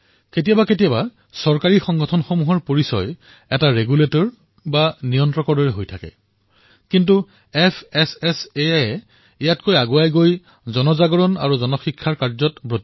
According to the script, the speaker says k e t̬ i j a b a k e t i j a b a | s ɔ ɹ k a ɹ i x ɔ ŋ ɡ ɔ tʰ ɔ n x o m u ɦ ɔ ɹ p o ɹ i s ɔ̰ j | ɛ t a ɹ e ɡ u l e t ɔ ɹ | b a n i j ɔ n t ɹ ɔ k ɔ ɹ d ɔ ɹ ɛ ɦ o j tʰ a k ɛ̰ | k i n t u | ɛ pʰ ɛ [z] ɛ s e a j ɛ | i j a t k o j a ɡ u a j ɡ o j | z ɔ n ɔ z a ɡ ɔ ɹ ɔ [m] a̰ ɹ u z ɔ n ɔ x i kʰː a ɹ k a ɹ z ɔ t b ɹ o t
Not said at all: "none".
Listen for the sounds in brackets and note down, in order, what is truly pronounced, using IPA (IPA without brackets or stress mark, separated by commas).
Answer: s, n